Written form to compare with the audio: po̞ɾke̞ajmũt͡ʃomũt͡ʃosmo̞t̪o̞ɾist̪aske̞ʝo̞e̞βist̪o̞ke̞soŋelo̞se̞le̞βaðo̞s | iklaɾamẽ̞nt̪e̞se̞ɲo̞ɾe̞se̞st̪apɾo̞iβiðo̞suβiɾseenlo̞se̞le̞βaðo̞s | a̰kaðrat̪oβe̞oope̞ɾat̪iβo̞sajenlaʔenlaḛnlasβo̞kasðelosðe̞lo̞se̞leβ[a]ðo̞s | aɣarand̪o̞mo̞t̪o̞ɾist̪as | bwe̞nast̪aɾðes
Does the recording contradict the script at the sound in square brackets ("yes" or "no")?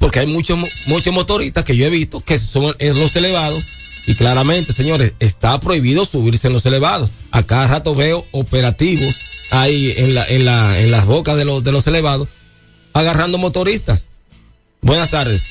no